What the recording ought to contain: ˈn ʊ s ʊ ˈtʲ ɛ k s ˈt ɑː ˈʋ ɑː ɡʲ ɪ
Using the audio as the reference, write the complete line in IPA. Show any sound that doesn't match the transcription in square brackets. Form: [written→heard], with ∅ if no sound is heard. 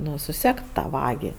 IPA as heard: ˈn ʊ s ʊ [ˈtʲ→ˈsʲ] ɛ k [s→t] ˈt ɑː ˈʋ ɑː ɡʲ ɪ